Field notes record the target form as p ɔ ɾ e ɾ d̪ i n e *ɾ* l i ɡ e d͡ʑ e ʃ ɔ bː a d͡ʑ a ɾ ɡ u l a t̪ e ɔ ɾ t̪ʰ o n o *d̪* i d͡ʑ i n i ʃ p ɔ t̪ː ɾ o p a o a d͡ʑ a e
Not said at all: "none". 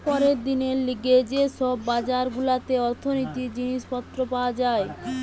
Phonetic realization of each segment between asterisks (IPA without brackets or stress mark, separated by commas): ɾ, t̪